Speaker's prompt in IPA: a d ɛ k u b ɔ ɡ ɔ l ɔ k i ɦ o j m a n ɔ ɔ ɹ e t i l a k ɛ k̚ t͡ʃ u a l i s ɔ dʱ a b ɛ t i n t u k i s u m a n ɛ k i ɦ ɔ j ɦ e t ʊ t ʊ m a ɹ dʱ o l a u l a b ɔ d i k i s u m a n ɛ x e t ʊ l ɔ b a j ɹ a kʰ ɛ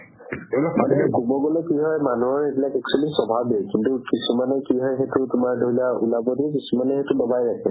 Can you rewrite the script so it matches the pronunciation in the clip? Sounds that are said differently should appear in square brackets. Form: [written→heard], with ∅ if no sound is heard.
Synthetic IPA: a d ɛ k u b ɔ ɡ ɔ l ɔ k i ɦ [o→ɔ] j m a n [ɔ→u] ɔ ɹ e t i l a k ɛ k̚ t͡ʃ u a l i s ɔ [dʱ→bʱ] a b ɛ [t→k] i n t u k i s u m a n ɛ k i ɦ ɔ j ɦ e t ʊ t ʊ m a ɹ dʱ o l a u l a b ɔ d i k i s u m a n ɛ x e t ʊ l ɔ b a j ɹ a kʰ ɛ